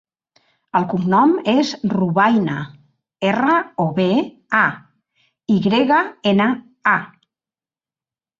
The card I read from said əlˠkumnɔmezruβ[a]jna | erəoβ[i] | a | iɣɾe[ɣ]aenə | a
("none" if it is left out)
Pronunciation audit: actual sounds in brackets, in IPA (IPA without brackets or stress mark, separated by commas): a, e, ɣ